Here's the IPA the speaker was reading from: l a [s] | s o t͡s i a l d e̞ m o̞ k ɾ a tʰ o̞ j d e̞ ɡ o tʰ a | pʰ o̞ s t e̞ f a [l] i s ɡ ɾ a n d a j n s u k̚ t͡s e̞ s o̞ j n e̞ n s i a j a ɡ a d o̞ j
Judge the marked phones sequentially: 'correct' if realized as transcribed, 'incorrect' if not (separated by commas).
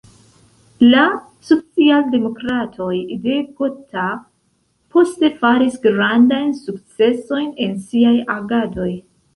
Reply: incorrect, incorrect